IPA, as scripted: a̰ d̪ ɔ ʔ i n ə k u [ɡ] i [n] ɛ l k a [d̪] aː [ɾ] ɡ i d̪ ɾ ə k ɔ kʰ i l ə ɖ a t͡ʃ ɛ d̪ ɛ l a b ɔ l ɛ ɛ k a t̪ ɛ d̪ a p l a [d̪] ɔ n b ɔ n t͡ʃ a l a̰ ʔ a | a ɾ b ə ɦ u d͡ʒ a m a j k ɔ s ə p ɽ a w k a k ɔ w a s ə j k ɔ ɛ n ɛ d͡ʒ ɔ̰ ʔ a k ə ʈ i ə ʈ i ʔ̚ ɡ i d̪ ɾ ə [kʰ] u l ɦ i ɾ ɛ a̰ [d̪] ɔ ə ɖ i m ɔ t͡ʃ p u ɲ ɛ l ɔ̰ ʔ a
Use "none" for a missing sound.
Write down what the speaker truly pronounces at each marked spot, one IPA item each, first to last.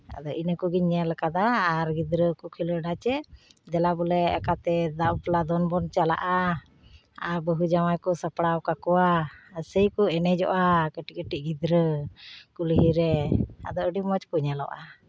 ɡ, ɲ, d̪, ɾ, d̪, k, d̪

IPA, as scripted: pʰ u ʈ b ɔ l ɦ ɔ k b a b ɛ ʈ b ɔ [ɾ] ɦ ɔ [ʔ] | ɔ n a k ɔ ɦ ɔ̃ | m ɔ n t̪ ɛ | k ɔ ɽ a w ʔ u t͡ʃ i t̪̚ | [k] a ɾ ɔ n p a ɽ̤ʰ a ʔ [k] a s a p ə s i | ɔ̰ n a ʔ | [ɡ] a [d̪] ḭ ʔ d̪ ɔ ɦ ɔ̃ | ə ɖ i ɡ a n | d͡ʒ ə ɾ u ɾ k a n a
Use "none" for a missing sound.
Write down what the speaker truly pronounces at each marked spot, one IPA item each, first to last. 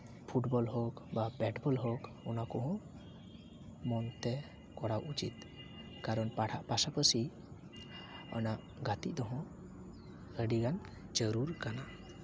l, k, k, p, ɡ, t̪

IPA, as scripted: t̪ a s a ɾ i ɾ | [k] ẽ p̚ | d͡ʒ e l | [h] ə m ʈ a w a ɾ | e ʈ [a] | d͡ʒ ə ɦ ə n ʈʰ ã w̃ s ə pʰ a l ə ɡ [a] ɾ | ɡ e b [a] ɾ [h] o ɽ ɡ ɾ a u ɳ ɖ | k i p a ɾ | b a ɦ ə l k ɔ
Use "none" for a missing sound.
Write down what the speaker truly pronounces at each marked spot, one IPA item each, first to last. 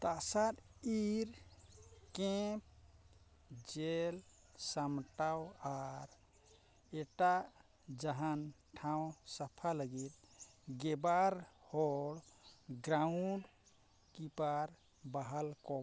k, s, a, i, a, h

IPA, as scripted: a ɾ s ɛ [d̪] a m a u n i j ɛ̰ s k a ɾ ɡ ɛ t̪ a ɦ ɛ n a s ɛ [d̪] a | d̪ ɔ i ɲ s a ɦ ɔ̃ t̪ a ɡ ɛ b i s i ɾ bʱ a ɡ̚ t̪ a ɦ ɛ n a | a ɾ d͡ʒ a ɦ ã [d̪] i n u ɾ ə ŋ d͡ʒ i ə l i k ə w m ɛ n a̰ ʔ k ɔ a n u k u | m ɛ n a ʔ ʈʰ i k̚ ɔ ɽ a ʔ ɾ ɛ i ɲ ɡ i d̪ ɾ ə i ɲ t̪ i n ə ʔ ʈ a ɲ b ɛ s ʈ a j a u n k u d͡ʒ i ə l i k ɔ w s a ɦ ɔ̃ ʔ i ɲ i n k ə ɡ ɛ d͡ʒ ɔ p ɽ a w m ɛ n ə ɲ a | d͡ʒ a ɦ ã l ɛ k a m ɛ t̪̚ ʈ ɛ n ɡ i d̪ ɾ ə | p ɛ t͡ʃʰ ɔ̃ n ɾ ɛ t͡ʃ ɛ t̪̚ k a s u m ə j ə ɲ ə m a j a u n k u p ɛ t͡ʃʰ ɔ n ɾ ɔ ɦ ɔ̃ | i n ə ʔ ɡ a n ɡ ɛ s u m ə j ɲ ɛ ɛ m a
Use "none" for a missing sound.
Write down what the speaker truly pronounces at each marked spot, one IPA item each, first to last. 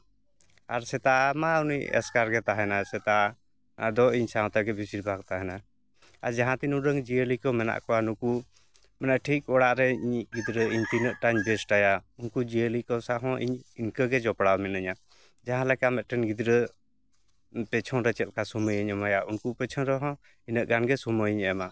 t̪, t̪, t̪

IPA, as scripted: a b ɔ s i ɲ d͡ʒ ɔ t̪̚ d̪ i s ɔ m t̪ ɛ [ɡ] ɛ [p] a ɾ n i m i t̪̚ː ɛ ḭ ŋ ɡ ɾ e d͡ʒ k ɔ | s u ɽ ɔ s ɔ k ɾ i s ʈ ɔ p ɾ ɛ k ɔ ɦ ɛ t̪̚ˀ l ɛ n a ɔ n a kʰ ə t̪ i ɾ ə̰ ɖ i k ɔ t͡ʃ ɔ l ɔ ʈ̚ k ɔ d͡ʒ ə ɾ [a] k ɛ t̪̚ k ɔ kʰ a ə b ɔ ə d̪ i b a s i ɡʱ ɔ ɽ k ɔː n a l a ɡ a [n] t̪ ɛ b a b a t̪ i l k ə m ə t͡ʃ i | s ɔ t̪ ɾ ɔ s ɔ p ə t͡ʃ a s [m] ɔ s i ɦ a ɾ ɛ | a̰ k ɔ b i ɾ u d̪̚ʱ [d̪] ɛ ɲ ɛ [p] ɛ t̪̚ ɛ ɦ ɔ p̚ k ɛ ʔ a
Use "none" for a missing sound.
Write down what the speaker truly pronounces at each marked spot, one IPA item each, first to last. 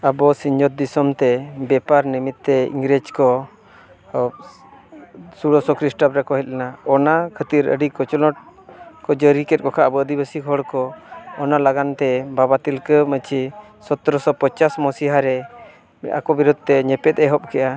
b, p, i, n, m, t̪, p

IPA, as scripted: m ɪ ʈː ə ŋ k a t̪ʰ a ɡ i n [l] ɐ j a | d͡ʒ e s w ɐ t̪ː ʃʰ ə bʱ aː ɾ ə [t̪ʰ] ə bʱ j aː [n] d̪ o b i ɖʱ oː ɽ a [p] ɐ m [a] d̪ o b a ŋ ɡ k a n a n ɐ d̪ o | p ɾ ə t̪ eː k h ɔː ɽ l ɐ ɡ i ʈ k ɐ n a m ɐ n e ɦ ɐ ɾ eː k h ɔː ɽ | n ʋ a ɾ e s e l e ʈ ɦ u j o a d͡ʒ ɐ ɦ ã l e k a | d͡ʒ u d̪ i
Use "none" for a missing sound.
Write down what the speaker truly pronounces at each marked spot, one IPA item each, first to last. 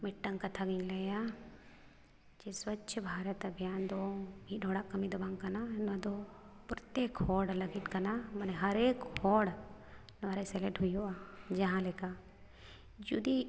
l, t̪, n, k, i

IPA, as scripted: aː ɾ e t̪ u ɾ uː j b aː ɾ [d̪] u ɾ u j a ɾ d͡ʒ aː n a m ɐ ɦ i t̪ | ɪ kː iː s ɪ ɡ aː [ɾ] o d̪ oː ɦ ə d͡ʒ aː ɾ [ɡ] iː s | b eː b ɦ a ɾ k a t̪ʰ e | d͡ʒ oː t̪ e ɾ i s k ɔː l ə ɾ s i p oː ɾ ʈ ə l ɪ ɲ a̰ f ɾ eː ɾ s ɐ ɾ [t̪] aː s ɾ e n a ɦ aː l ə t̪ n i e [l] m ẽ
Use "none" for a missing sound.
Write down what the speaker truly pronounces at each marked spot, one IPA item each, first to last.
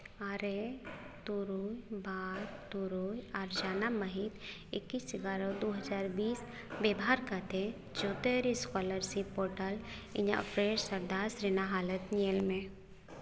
t̪, ɾ, b, d̪, l

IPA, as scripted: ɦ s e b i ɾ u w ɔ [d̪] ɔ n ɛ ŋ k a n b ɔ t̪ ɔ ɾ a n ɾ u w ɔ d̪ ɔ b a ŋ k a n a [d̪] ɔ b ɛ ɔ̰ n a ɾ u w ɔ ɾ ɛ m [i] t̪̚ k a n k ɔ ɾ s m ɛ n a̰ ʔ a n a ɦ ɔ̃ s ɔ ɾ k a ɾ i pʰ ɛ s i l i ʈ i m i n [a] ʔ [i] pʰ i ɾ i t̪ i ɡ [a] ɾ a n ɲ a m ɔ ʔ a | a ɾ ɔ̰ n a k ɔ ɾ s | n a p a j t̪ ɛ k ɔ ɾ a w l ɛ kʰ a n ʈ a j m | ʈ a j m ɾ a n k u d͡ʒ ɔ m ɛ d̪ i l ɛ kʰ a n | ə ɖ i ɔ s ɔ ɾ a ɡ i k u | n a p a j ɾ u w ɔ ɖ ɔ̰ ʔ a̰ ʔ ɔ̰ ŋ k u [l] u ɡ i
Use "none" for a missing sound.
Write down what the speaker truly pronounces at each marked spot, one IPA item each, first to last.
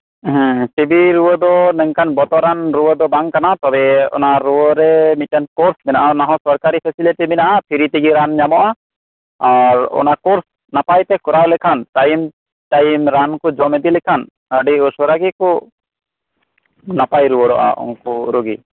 d̪, t̪, i, a, a, i, ɾ

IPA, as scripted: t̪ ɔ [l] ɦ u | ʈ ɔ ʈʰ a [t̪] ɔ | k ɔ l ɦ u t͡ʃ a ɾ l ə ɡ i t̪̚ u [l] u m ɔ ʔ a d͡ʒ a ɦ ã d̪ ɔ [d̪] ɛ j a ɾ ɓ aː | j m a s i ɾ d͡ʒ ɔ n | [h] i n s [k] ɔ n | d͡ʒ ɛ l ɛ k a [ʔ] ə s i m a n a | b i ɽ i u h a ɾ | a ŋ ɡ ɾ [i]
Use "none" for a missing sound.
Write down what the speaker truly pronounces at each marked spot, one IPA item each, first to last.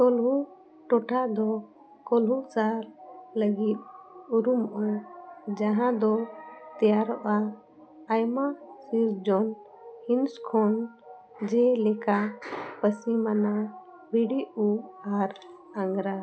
l, d̪, ɾ, t̪, h, kʰ, p, a

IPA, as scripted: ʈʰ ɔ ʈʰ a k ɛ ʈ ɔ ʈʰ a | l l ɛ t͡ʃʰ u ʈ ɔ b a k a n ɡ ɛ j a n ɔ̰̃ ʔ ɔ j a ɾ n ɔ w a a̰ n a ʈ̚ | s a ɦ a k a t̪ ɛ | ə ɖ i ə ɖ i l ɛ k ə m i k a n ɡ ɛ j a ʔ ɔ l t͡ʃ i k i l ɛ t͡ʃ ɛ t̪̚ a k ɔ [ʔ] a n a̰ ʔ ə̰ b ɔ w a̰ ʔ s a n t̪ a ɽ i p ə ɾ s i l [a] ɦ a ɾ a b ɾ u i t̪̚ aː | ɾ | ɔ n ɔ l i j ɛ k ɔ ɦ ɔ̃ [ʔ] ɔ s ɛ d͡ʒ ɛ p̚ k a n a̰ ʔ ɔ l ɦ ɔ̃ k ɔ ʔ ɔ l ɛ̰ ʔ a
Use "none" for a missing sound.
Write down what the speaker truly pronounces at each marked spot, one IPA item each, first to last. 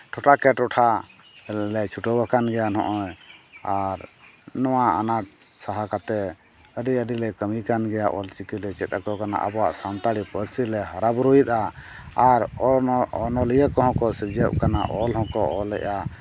k, ɛ, k

